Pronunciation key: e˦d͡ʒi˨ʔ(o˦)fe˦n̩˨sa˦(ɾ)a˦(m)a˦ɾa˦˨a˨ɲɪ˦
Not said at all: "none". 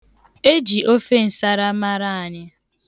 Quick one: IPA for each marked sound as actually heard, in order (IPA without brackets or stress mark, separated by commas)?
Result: o˦, ɾ, m